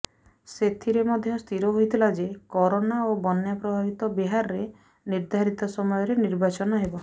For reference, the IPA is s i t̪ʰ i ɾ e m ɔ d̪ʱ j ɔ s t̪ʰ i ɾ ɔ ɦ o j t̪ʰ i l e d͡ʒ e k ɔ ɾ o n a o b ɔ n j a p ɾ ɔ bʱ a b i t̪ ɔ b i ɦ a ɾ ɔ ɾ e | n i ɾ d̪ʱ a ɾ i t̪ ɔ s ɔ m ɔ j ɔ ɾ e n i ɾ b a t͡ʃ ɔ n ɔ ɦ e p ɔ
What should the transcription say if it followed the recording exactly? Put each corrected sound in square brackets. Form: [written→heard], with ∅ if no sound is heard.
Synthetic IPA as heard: s [i→e] t̪ʰ i ɾ e m ɔ d̪ʱ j ɔ s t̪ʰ i ɾ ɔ ɦ o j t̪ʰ i l [e→a] d͡ʒ e k ɔ ɾ o n a o b ɔ n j a p ɾ ɔ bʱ a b i t̪ ɔ b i ɦ a ɾ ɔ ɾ e | n i ɾ d̪ʱ a ɾ i t̪ ɔ s ɔ m ɔ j ɔ ɾ e n i ɾ b a t͡ʃ ɔ n ɔ ɦ e [p→b] ɔ